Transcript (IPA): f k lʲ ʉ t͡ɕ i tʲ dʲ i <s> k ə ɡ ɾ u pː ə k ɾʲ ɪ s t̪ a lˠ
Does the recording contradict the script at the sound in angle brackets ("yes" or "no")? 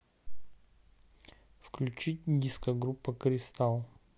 no